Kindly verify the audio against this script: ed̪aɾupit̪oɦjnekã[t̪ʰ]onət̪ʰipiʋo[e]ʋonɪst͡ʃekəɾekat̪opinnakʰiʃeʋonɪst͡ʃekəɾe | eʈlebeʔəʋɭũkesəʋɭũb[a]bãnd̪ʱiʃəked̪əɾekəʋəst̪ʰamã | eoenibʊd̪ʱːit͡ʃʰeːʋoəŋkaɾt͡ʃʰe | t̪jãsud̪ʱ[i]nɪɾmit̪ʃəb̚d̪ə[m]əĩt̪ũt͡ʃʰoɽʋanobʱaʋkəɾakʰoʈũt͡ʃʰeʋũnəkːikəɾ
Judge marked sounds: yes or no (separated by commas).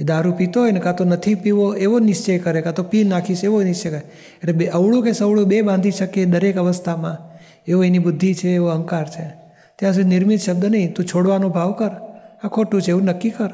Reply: no, yes, no, yes, no